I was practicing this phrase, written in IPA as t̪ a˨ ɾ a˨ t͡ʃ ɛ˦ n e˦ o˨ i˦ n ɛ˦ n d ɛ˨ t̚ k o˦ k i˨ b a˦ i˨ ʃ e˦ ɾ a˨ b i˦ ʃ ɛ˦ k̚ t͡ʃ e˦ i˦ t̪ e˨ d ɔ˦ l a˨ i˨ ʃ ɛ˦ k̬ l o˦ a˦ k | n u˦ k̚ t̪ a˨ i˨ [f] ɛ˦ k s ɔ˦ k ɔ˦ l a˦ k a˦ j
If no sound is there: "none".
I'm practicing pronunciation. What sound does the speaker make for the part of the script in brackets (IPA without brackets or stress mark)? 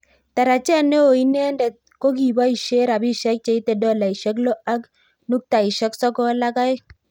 ʃ